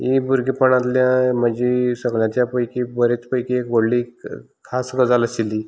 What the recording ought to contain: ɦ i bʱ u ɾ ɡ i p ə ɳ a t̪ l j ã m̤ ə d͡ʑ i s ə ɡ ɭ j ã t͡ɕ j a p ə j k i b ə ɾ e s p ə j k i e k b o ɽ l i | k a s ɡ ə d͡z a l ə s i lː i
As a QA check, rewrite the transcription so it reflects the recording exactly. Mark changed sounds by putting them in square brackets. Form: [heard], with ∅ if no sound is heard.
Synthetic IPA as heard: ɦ i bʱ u ɾ ɡ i p ə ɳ a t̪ l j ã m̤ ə d͡ʑ i s ə ɡ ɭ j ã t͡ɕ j a p ə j k i b ə ɾ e [t͡s] p ə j k i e k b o ɽ l i | [kʰ] a s ɡ ə d͡z a l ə s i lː i